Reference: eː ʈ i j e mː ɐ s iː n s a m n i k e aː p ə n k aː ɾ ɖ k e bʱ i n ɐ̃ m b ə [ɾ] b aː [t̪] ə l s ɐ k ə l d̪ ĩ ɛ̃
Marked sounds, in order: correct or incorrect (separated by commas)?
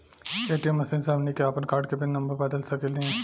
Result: correct, incorrect